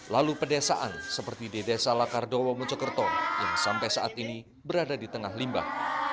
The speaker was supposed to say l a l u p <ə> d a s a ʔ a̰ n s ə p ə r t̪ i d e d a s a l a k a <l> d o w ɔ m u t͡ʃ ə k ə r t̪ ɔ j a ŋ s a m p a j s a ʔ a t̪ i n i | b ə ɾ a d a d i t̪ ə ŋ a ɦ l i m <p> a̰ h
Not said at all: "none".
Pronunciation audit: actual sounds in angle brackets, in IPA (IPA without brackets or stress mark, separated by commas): ə, r, b